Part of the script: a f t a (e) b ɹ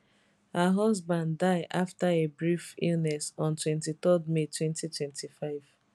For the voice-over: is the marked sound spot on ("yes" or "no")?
yes